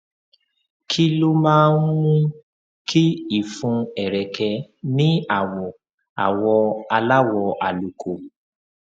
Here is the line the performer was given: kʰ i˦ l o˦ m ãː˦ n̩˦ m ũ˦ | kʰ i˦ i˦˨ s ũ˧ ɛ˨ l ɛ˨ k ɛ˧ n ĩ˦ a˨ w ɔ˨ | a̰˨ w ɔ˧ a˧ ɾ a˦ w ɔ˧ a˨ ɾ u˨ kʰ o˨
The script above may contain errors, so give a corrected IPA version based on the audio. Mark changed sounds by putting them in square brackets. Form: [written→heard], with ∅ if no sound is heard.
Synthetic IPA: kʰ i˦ l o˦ m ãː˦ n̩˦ m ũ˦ | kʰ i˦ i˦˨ [s→f] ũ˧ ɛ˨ [l→ɾ] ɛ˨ k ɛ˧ n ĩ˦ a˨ w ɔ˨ | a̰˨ w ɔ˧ a˧ [ɾ→l] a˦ w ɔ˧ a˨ [ɾ→l] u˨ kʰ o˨

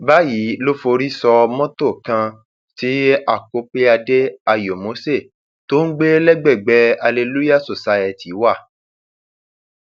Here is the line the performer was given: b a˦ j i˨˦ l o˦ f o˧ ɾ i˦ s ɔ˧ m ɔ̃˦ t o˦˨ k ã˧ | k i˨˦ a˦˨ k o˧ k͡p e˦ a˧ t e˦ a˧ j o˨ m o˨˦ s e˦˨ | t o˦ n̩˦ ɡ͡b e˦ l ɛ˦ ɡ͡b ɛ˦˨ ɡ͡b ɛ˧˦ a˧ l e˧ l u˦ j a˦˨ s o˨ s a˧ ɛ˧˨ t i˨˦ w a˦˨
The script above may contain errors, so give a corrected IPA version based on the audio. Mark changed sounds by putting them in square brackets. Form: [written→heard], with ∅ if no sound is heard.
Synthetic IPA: b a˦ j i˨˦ l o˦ f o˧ ɾ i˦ s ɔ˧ m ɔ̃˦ t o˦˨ k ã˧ | [k→t] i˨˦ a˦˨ k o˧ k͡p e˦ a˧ [t→d] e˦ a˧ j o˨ m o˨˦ s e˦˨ | t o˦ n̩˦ ɡ͡b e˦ l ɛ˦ ɡ͡b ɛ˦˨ ɡ͡b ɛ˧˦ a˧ l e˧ l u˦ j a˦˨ s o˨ s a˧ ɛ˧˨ t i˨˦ w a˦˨

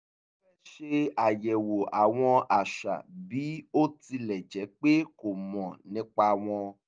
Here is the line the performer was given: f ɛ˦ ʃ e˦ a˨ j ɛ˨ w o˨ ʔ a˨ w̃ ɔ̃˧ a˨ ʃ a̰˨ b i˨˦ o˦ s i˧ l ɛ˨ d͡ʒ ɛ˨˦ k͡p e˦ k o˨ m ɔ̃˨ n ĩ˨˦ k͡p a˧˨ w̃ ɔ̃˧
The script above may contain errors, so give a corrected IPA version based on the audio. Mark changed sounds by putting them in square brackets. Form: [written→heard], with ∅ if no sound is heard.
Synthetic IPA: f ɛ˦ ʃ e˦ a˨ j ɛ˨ w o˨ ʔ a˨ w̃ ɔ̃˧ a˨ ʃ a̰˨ b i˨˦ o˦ [s→t] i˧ l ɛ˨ d͡ʒ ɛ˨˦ k͡p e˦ k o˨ m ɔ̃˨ n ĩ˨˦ k͡p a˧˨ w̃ ɔ̃˧

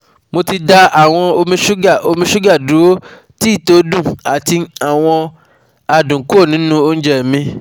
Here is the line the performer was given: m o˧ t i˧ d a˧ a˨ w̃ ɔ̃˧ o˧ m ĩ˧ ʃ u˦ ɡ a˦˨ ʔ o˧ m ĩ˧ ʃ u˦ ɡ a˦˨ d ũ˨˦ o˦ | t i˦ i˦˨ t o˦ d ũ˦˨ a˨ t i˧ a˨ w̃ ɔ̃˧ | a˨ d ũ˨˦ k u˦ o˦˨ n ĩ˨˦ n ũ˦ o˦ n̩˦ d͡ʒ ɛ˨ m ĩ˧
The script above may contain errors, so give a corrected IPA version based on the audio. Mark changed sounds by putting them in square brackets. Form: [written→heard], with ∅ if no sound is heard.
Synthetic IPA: m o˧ t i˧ d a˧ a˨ w̃ ɔ̃˧ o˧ m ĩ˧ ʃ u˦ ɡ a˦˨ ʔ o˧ m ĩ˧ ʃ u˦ ɡ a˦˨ d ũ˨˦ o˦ | t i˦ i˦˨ t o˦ d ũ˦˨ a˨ t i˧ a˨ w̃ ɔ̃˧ | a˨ d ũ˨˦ k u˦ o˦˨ n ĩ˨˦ n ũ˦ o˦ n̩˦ d͡ʒ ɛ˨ m ĩ˧

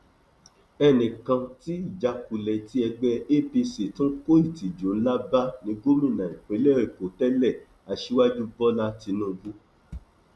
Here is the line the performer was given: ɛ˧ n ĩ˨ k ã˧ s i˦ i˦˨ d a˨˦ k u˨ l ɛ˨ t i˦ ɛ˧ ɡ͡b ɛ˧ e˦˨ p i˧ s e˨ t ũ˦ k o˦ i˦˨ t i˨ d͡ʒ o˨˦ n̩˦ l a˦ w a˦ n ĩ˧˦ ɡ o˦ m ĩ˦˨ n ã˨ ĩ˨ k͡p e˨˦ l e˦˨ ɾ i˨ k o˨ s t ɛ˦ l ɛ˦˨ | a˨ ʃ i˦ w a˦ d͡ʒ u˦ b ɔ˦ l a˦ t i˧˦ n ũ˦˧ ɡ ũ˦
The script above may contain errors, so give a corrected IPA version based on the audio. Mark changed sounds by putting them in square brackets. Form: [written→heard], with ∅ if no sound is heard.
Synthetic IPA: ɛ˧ n ĩ˨ k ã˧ [s→t] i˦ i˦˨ [d→d͡ʒ] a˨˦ k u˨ l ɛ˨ t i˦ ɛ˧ ɡ͡b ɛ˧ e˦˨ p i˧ s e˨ t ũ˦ k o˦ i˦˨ t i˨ d͡ʒ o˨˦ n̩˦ l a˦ [w→b] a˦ n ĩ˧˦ ɡ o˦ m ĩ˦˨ n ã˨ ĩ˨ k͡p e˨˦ l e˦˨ ɾ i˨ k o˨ [s→∅] t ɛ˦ l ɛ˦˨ | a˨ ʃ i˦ w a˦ d͡ʒ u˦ b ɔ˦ l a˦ t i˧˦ n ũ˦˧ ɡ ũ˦

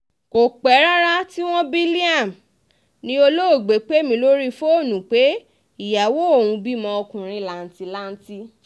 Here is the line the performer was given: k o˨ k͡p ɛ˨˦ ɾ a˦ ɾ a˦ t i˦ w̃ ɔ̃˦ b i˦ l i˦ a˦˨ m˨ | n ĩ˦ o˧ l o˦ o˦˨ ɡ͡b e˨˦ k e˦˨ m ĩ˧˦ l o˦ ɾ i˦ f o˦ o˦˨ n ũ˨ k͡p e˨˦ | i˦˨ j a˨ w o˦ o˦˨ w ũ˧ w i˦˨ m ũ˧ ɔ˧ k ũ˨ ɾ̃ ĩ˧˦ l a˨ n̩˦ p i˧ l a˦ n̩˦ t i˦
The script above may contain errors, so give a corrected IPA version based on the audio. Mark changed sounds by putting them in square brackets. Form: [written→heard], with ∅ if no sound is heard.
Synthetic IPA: k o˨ k͡p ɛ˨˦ ɾ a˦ ɾ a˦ t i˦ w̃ ɔ̃˦ b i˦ l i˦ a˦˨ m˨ | n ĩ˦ o˧ l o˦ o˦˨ ɡ͡b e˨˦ [k→k͡p] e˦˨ m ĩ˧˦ l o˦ ɾ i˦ f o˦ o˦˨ n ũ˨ k͡p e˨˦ | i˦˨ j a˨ w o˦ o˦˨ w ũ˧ [w→b] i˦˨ m [ũ˧→ɔ̃˧] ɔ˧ k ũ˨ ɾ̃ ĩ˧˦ l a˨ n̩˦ [p→t] i˧ l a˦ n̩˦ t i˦

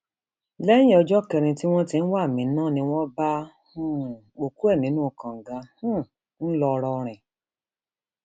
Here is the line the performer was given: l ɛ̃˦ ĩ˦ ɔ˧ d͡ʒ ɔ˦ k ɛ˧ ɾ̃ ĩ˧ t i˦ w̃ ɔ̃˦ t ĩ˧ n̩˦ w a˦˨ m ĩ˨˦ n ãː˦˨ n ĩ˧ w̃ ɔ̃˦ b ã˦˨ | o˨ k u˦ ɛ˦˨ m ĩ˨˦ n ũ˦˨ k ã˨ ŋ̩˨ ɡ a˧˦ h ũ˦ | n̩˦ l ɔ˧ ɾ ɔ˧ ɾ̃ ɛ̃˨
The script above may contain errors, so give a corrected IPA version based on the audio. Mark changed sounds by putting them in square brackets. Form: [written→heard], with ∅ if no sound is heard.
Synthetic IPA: l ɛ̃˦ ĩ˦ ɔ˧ d͡ʒ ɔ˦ k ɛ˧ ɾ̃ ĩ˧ t i˦ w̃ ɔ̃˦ t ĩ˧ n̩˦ w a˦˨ m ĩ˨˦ n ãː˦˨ n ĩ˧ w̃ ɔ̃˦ b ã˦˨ | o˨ k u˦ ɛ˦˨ [m→n] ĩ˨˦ n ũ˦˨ k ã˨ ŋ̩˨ ɡ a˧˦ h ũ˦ | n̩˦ l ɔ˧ ɾ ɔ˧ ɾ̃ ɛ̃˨

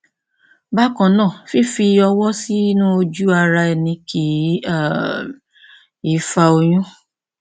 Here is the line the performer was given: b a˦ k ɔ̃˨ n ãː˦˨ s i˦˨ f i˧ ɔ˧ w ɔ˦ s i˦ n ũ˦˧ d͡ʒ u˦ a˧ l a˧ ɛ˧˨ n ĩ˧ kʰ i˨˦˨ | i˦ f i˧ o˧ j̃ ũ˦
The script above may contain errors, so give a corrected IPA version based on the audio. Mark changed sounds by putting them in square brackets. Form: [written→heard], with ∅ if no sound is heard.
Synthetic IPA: b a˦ k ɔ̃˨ n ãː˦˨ [s→f] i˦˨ f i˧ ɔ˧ w ɔ˦ s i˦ n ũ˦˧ d͡ʒ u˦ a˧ [l→ɾ] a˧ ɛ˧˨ n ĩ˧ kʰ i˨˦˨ | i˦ f [i˧→a˧] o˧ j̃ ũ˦

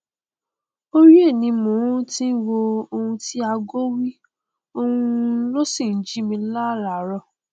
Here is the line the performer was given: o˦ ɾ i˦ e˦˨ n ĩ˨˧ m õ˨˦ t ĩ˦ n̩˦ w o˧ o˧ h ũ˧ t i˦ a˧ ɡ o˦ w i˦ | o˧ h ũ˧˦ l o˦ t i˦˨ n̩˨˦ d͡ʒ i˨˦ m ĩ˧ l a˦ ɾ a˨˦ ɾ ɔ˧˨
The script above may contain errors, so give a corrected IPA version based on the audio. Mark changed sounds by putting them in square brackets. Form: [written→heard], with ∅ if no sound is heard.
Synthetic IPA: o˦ ɾ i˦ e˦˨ n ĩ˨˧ m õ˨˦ t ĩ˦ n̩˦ w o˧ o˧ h ũ˧ t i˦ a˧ ɡ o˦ w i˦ | o˧ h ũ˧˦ l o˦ [t→s] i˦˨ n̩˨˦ d͡ʒ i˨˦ m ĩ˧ l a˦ ɾ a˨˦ ɾ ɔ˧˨

